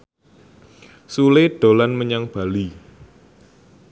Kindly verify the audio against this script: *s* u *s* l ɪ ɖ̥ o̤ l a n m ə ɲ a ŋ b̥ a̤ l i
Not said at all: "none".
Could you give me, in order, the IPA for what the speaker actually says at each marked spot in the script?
s, none

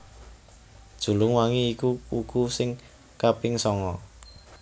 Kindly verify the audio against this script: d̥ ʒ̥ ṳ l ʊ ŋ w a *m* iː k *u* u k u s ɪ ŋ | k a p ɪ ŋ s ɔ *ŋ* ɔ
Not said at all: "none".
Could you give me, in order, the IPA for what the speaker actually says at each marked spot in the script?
ŋ, u, ŋ

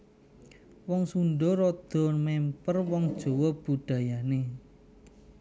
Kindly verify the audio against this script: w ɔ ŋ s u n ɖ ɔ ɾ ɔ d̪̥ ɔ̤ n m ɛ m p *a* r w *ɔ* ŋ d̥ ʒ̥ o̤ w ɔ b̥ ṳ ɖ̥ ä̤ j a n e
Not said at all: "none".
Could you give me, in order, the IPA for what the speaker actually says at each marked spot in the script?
ə, ɔ

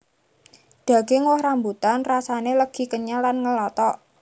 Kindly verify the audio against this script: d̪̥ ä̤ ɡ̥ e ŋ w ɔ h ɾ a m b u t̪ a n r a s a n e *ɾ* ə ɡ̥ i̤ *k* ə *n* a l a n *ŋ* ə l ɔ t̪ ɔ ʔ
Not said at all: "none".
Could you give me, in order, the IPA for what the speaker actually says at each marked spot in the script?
l, k, ɲ, ŋ

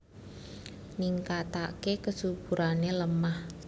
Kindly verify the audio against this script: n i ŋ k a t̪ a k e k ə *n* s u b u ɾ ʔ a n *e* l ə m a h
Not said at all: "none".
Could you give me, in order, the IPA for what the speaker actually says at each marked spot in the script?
none, e

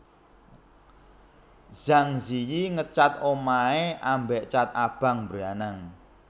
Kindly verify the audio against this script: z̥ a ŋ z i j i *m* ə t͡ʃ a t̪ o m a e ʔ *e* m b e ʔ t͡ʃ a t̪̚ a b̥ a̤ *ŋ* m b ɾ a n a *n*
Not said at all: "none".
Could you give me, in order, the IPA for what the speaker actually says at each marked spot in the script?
ŋ, a, ŋ, ŋ

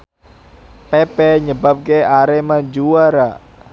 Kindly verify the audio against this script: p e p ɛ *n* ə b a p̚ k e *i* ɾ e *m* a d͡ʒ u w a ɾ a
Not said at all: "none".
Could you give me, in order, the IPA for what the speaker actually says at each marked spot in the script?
ɲ, a, m

